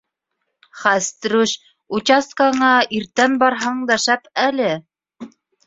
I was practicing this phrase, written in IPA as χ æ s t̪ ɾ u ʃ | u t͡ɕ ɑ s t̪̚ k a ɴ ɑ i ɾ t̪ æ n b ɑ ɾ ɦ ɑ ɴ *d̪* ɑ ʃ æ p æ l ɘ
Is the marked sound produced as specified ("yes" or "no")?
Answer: yes